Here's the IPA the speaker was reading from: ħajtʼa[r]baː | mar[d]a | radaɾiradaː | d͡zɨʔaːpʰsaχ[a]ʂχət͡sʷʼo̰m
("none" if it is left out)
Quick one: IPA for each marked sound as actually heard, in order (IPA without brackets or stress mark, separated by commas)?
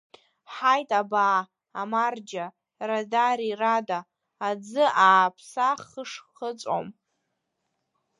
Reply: none, d͡ʒ, ə